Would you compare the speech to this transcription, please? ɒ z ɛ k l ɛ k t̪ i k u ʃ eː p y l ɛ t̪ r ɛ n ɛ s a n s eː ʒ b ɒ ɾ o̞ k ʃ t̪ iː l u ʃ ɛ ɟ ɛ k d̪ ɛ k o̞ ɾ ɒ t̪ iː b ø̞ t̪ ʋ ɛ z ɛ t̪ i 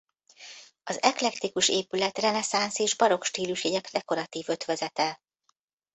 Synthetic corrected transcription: ɒ z ɛ k l ɛ k t̪ i k u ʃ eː p y l ɛ t̪ r ɛ n ɛ s a n s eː ʒ b ɒ ɾ o̞ k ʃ t̪ iː l u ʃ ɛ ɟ ɛ k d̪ ɛ k o̞ ɾ ɒ t̪ iː v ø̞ t̪ ʋ ɛ z ɛ t̪ ɛ